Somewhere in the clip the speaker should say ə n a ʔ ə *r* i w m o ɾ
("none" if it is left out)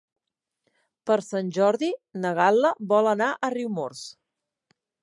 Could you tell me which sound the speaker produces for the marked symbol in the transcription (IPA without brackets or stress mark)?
r